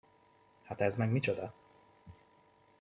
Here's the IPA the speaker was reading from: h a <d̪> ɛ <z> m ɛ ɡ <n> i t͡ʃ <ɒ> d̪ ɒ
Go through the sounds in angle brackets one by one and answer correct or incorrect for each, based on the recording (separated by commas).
incorrect, correct, incorrect, incorrect